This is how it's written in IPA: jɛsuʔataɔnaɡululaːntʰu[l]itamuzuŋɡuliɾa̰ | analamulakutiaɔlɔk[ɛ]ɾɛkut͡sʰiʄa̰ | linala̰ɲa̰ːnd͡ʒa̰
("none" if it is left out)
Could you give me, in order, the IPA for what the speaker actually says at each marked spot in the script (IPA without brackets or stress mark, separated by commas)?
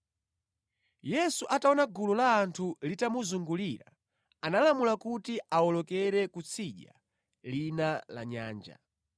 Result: l, ɛ